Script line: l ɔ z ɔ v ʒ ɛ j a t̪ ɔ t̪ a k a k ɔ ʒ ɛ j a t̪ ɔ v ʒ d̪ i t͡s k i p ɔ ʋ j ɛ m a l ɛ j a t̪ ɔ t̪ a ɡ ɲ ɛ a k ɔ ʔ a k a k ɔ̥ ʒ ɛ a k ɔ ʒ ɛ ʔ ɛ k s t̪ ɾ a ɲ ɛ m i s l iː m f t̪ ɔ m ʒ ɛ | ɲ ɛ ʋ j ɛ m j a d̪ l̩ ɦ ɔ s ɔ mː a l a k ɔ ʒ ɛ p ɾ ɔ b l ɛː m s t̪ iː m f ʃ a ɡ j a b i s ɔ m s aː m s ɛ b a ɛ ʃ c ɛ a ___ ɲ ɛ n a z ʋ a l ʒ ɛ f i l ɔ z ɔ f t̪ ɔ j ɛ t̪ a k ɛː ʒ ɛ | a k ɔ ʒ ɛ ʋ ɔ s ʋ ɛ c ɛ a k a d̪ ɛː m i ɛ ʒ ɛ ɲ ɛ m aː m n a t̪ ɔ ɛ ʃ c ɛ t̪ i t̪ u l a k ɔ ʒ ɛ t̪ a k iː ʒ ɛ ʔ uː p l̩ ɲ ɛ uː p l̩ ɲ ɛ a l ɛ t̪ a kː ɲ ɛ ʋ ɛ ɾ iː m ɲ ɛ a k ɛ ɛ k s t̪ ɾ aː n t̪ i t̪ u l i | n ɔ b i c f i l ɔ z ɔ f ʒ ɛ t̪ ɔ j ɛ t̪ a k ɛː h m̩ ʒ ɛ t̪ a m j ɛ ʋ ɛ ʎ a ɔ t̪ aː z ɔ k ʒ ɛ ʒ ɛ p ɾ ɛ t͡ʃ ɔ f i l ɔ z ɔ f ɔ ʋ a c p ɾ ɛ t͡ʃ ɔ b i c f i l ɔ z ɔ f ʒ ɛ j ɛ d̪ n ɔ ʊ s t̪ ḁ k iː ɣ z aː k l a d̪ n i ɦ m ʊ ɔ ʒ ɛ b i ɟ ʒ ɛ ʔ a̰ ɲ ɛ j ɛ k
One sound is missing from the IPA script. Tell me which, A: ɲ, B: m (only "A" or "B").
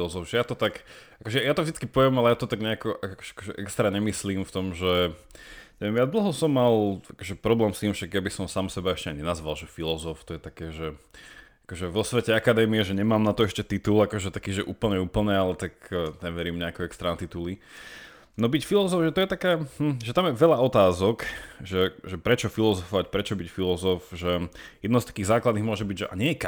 A